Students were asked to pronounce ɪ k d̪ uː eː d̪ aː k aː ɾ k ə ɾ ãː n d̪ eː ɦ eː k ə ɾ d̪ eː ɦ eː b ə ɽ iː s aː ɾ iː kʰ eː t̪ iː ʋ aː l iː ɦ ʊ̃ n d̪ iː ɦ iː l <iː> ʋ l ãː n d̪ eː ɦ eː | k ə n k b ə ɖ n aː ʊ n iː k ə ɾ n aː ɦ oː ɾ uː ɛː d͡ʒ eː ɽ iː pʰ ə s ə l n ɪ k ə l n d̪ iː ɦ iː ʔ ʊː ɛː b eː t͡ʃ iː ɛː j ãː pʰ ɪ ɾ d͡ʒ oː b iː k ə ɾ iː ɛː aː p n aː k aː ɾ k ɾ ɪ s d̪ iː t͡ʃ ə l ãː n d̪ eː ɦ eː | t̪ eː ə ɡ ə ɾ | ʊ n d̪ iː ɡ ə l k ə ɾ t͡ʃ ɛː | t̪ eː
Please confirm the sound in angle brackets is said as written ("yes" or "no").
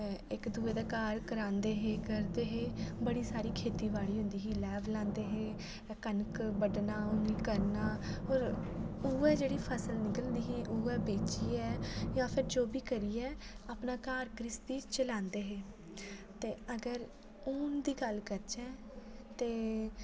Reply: no